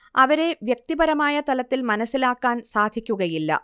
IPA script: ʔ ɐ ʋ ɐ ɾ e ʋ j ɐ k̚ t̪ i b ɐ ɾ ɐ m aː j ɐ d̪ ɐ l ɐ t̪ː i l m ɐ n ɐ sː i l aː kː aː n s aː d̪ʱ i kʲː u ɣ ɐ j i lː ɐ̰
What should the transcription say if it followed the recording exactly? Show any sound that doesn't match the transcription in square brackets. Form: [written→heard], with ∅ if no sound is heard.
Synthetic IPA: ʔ ɐ ʋ ɐ ɾ e ʋ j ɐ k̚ t̪ i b ɐ ɾ ɐ m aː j ɐ [d̪→t̪] ɐ l ɐ t̪ː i l m ɐ n ɐ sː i l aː kː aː n s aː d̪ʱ i kʲː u ɣ ɐ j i lː ɐ̰

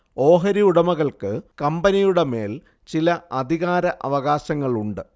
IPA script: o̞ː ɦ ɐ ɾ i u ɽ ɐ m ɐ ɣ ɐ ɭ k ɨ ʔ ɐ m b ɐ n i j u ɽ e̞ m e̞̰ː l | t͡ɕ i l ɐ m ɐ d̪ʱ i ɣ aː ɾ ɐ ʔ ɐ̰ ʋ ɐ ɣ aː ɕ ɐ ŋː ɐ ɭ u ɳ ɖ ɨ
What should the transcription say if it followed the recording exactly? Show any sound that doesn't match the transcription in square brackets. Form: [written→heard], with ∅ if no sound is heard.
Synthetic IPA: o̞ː ɦ ɐ ɾ i u ɽ ɐ m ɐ ɣ ɐ ɭ k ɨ [ʔ→k] ɐ m b ɐ n i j u ɽ e̞ m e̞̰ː l | t͡ɕ i l ɐ [m→∅] ɐ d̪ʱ i ɣ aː ɾ ɐ ʔ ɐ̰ ʋ ɐ ɣ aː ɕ ɐ ŋː ɐ ɭ u ɳ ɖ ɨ

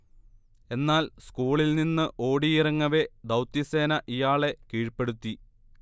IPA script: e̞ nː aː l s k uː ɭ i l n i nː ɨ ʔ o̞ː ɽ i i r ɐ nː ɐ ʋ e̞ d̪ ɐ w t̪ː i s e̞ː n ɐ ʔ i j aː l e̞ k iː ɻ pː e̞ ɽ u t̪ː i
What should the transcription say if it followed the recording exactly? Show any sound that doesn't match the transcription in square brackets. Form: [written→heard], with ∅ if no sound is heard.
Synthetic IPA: e̞ nː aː l s k uː ɭ i l n i nː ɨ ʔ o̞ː ɽ i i r ɐ [nː→ŋː] ɐ ʋ e̞ d̪ ɐ w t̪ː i s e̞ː n ɐ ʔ i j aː [l→ɭ] e̞ k iː ɻ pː e̞ ɽ u t̪ː i

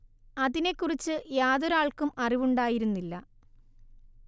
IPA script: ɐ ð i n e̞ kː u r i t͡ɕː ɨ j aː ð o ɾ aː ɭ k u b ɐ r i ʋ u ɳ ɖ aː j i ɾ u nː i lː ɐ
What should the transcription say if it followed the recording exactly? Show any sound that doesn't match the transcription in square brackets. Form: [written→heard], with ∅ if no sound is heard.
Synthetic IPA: ɐ ð i n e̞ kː u r i t͡ɕː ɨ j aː ð o ɾ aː ɭ k u [b→m] ɐ r i ʋ u ɳ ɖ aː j i ɾ u nː i lː ɐ

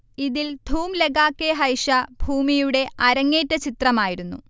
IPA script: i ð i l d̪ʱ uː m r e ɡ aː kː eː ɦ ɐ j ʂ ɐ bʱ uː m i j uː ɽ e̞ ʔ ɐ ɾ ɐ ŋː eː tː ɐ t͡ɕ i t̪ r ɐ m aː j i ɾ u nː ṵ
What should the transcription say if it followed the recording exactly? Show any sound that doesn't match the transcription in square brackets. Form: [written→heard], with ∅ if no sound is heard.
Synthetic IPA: i ð i l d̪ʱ uː m [r→l] e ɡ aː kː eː ɦ ɐ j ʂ ɐ bʱ uː m i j [uː→u] ɽ e̞ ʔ ɐ ɾ ɐ ŋː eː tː ɐ t͡ɕ i t̪ r ɐ m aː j i ɾ u nː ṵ

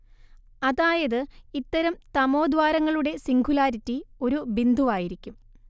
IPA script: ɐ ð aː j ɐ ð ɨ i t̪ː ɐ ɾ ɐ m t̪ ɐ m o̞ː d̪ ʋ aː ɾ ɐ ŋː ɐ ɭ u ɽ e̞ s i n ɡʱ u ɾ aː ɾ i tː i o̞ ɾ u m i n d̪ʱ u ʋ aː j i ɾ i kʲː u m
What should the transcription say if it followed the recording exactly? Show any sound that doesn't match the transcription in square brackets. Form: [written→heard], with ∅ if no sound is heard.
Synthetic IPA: ɐ ð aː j ɐ ð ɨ i t̪ː ɐ ɾ ɐ m t̪ ɐ m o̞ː d̪ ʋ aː ɾ ɐ ŋː ɐ ɭ u ɽ e̞ s i [n→ŋ] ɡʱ u [ɾ→l] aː ɾ i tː i o̞ ɾ u [m→b] i n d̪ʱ u ʋ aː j i ɾ i kʲː u m

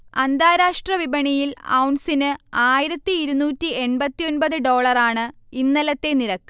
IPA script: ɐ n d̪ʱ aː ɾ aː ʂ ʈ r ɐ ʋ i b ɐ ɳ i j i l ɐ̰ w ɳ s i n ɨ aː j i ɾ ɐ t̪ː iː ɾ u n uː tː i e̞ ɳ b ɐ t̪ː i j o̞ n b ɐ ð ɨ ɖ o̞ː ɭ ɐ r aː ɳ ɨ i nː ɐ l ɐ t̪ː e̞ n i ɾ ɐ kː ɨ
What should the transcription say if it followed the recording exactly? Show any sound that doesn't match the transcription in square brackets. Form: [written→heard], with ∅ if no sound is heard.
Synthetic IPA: ɐ n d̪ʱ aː ɾ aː ʂ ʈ r ɐ ʋ i b ɐ ɳ i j i l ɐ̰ w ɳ s i n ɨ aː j i ɾ ɐ t̪ː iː ɾ u n uː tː i e̞ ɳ b ɐ t̪ː i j o̞ n b ɐ ð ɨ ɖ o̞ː ɭ ɐ r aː ɳ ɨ i nː ɐ l ɐ t̪ː e̞ n i ɾ ɐ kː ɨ

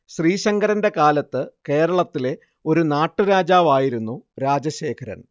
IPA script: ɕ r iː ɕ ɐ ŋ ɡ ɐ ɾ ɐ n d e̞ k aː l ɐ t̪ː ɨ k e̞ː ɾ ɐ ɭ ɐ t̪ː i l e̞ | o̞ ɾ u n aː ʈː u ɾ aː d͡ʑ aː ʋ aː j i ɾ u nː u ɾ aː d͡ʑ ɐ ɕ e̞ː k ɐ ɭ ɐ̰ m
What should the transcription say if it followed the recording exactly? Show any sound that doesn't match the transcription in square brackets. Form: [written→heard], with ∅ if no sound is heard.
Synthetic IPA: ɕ r iː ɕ ɐ ŋ ɡ ɐ ɾ ɐ n d e̞ k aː l ɐ t̪ː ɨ k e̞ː ɾ ɐ ɭ ɐ t̪ː i l e̞ | o̞ ɾ u n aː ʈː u ɾ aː d͡ʑ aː ʋ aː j i ɾ u nː u ɾ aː d͡ʑ ɐ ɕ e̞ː [k→kʰ] ɐ [ɭ→ɾ] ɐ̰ [m→n]

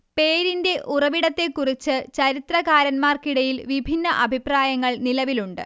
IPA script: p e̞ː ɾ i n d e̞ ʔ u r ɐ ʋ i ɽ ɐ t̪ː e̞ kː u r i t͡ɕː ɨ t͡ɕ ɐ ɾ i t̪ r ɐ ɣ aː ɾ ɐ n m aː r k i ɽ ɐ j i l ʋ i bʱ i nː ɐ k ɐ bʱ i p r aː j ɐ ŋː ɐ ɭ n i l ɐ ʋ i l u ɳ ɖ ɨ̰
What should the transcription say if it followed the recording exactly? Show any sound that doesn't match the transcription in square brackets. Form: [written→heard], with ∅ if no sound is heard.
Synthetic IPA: p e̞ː ɾ i n d e̞ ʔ u r ɐ ʋ i ɽ ɐ t̪ː e̞ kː u r i t͡ɕː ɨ t͡ɕ ɐ ɾ i t̪ r ɐ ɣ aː ɾ ɐ n m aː r k i ɽ ɐ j i l ʋ i bʱ i nː ɐ [k→ʔ] ɐ bʱ i p r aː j ɐ ŋː ɐ ɭ n i l ɐ ʋ i l u ɳ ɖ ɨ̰

